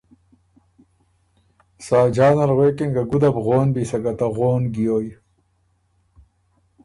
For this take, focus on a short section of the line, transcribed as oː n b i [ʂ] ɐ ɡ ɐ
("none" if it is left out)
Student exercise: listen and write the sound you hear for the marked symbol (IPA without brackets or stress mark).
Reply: s